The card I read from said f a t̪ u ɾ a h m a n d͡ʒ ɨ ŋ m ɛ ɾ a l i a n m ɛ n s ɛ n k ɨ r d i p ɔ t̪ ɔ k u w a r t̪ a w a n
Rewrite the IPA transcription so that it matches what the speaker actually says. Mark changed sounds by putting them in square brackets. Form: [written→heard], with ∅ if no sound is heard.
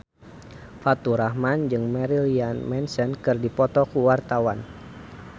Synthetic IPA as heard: f a t̪ u ɾ a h m a n d͡ʒ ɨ ŋ m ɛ ɾ [a→i] l i a n m ɛ n s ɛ n k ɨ r d i p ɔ t̪ ɔ k u w a r t̪ a w a n